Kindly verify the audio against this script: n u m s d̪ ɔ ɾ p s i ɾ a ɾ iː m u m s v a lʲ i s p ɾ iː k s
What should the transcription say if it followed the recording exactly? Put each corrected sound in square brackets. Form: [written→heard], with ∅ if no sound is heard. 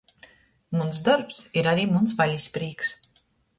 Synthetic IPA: [n→m] u [m→n] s d̪ ɔ ɾ p s i ɾ a ɾ iː m u [m→n] s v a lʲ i s p ɾ iː k s